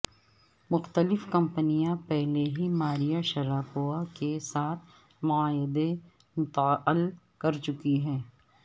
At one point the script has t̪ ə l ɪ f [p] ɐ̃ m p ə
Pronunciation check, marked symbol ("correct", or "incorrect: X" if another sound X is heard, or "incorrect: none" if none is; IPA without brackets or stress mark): incorrect: k